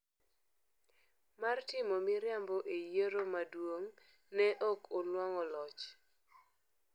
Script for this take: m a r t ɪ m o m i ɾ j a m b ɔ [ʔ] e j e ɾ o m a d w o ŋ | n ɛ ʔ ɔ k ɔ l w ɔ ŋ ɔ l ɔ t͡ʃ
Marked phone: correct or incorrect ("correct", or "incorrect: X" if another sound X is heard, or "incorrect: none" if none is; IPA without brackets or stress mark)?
correct